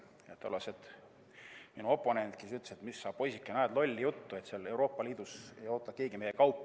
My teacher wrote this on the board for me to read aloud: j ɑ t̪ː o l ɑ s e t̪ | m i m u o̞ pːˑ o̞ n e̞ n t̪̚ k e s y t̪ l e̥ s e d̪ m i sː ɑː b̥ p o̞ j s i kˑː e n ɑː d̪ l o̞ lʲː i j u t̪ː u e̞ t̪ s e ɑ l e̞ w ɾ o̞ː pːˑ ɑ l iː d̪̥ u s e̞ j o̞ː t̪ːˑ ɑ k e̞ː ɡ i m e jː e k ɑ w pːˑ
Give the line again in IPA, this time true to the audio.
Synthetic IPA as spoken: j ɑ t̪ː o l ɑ s e t̪ | m i n u o̞ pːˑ o̞ n e̞ n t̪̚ k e s y t̪ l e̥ s e t̪ m i sː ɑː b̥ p o̞ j s i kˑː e n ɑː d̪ l o̞ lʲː i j u t̪ː u e̞ t̪ s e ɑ l e̞ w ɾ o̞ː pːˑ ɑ l iː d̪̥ u s e̞ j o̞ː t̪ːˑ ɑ k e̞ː ɡ i m e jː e k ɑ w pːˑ